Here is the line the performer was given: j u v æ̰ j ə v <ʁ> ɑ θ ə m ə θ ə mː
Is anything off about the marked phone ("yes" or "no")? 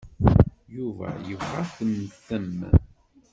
no